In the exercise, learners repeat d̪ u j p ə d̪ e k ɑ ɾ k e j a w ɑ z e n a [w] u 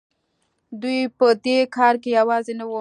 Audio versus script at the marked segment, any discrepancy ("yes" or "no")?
no